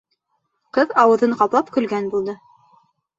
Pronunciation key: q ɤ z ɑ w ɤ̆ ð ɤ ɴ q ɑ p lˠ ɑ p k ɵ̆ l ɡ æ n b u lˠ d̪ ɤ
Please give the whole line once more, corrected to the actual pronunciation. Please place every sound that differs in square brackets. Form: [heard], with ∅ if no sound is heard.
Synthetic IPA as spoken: q ɤ [ð] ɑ w ɤ̆ ð ɤ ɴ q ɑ p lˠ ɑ p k ɵ̆ l ɡ æ n b u lˠ d̪ ɤ